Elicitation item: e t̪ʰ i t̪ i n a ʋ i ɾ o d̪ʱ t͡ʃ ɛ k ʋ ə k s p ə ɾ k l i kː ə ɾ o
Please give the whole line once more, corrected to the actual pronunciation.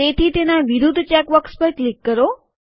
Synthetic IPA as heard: e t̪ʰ i t̪ e n a ʋ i ɾ u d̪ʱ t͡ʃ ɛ k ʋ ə k s p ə ɾ k l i kː ə ɾ o